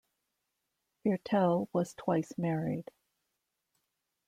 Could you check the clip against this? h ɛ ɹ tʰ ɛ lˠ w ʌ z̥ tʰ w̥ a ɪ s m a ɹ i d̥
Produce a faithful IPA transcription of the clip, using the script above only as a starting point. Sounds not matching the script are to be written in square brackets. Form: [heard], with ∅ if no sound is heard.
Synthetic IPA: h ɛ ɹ tʰ ɛ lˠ w ʌ z̥ tʰ w̥ a ɪ s m [ɛ] ɹ i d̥